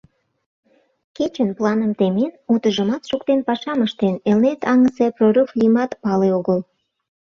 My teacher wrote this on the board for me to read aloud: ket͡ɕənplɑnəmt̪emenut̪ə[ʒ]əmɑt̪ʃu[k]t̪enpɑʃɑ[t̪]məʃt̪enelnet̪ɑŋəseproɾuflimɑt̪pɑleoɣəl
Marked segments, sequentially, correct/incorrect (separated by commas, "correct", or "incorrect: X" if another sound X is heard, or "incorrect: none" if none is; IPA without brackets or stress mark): correct, correct, incorrect: none